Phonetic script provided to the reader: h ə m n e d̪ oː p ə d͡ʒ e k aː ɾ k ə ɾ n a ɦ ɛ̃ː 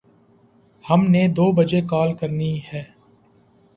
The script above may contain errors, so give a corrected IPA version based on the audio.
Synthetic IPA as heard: h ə m n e d̪ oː b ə d͡ʒ e k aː l k ə ɾ n i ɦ ɛː